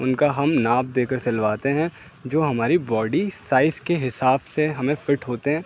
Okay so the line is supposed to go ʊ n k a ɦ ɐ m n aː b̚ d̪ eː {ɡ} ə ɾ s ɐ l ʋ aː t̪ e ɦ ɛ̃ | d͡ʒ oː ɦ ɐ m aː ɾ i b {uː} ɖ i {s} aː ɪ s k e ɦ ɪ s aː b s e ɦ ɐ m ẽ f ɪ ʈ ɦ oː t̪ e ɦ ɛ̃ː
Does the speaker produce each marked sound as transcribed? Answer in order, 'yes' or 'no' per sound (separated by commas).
no, no, yes